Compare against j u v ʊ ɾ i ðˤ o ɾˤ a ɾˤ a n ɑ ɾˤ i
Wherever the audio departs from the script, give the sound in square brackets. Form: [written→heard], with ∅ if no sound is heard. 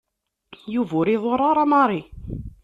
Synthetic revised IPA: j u v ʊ ɾ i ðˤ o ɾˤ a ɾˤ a [n→m] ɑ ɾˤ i